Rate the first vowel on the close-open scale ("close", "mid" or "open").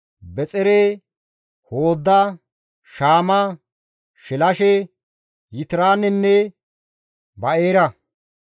mid